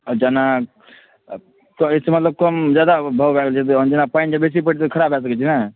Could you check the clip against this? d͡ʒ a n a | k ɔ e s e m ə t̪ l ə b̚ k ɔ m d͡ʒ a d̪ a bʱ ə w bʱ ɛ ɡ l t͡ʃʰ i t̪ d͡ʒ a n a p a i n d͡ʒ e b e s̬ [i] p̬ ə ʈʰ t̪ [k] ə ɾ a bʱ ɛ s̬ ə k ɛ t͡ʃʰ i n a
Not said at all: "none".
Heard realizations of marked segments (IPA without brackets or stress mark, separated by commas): i, kʰ